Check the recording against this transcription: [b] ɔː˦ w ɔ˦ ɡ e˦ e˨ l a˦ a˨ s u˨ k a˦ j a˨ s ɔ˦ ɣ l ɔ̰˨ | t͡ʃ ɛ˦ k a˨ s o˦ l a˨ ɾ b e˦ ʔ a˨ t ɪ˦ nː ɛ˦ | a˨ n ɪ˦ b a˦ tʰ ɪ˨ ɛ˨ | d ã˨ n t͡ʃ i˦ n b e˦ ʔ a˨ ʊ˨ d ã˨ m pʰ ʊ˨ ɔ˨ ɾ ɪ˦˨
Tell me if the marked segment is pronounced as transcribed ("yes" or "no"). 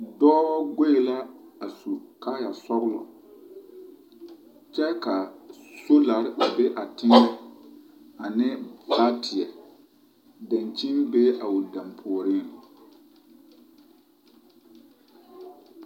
no